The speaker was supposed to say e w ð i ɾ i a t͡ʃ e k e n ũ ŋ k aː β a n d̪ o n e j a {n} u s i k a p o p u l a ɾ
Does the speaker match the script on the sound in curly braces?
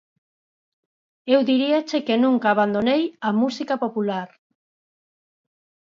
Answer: no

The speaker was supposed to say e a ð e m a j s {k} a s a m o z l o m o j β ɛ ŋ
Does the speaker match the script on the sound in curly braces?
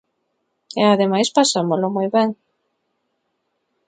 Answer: no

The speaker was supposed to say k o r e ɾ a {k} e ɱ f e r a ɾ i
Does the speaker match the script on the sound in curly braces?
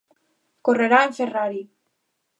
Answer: no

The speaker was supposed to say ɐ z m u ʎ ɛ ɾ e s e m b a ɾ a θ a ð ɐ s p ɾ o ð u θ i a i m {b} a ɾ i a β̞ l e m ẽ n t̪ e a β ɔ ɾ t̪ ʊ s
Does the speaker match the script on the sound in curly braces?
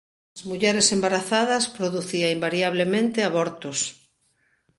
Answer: yes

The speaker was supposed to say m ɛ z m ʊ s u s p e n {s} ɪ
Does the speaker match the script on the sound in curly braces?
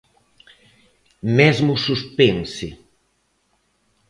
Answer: yes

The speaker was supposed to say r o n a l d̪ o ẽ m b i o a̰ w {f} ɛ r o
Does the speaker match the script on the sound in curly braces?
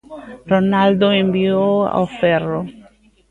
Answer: yes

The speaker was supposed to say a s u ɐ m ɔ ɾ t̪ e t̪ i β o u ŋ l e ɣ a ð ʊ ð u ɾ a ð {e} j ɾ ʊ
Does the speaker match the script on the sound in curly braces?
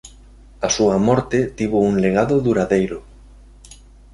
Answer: yes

